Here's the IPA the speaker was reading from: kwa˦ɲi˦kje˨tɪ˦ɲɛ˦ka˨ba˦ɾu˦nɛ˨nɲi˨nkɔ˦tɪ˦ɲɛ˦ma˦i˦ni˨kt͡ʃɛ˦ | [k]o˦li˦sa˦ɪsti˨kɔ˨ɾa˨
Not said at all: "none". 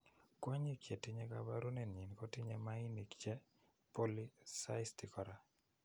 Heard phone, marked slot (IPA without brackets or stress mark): p